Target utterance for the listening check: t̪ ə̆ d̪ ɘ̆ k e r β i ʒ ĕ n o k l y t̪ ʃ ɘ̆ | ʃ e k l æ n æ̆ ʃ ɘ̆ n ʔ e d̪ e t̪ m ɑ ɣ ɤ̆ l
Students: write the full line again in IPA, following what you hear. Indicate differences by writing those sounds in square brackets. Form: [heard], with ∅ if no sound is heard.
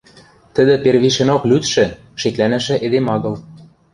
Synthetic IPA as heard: t̪ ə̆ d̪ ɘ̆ [p] e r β i [ʃ] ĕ n o k l y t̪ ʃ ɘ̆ | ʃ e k l æ n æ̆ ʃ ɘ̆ [∅] ʔ e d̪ e [∅] m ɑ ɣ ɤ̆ l